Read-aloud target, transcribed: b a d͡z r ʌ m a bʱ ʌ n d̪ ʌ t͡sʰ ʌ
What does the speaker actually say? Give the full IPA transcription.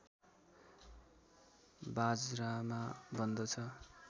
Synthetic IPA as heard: b a d͡z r a m a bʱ ʌ n d̪ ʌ t͡sʰ ʌ